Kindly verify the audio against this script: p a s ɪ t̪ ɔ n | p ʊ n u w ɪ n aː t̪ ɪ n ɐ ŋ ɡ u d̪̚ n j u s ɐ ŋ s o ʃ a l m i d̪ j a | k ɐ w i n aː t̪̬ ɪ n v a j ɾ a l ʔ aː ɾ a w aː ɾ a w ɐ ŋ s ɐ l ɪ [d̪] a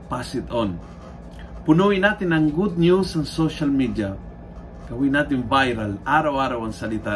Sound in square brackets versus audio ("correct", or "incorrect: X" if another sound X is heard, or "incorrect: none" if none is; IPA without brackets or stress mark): incorrect: t̪